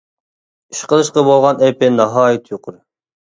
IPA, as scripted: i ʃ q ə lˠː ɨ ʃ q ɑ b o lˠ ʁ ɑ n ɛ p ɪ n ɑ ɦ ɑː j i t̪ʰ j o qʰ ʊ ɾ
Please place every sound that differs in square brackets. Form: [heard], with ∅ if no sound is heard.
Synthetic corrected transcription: i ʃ q ə [lˠ] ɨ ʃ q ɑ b o lˠ ʁ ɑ n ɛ p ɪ n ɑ ɦ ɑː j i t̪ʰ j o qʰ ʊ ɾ